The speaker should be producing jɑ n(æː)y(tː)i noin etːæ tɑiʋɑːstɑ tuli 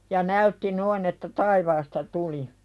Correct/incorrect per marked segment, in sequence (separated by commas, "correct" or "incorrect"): incorrect, correct